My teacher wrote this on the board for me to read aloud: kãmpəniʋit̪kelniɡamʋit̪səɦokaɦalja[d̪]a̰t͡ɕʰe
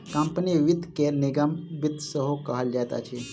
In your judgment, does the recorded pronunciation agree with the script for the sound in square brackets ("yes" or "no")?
no